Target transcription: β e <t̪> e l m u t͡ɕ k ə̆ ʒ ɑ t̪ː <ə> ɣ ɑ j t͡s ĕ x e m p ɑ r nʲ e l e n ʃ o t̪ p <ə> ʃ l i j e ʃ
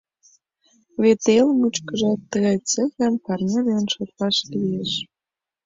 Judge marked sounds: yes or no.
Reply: yes, yes, no

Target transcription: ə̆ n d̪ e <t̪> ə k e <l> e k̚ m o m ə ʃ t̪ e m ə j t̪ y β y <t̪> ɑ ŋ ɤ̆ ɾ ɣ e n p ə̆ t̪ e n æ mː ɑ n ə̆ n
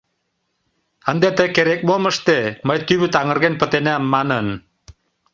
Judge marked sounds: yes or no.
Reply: yes, no, yes

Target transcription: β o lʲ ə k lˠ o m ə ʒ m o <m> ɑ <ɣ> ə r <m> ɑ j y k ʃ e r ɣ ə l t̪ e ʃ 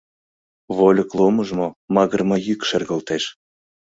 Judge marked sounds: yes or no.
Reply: yes, yes, yes

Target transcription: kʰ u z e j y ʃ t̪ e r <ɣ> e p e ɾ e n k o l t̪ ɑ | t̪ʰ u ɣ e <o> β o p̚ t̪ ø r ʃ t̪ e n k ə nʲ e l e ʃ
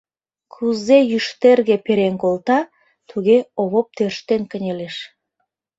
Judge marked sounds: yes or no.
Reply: yes, yes

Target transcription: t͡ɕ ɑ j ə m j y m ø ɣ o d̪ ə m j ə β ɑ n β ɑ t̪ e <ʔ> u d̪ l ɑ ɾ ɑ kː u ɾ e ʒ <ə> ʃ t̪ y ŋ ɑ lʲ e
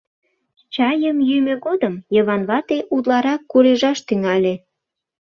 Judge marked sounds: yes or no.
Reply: yes, no

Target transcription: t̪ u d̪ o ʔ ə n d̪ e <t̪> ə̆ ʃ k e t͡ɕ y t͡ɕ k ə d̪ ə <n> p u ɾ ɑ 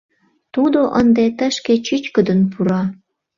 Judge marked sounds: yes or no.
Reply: yes, yes

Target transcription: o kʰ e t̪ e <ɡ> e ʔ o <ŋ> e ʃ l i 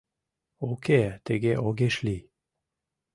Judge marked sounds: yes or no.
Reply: yes, no

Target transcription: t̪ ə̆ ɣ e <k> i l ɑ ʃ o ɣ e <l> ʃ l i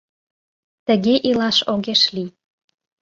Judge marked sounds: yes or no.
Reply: no, no

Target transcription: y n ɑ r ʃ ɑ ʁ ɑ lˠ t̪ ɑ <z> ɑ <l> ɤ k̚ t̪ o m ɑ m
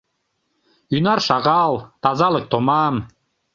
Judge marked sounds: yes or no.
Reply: yes, yes

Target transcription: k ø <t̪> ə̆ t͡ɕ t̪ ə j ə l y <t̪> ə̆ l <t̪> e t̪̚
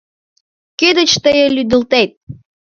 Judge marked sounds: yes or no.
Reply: no, no, yes

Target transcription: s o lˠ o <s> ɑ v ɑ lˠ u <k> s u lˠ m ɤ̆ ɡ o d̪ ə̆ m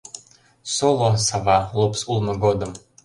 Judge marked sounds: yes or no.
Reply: yes, no

